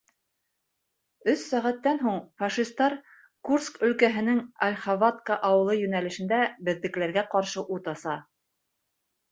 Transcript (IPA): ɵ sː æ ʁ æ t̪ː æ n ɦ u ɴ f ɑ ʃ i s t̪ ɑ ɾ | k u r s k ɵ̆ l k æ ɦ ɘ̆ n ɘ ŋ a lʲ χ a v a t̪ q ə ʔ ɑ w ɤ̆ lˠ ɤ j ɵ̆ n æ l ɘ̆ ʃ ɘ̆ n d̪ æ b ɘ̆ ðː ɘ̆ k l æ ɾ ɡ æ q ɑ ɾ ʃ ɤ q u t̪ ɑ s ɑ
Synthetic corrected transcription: ɵ sː æ ʁ æ t̪ː æ n ɦ u ɴ f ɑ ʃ i s t̪ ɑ ɾ | k u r s k ɵ̆ l k æ ɦ ɘ̆ n ɘ ŋ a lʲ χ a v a t̪ k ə ʔ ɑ w ɤ̆ lˠ ɤ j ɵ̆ n æ l ɘ̆ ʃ ɘ̆ n d̪ æ b ɘ̆ ðː ɘ̆ k l æ ɾ ɡ æ q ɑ ɾ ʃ ɤ ʔ u t̪ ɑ s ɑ